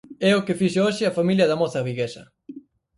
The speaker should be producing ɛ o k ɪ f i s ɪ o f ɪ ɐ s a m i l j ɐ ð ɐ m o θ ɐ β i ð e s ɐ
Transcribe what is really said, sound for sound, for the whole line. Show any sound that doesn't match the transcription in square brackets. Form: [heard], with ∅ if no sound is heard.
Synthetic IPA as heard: ɛ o k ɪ f i [ʃ] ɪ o [ʃ] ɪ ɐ [f] a m i l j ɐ ð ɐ m o θ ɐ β i [ɣ] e s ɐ